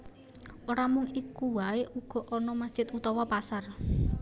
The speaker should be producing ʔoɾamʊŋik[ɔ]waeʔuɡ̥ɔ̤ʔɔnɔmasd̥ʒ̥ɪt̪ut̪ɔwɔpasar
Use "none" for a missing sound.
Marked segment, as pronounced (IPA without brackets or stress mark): u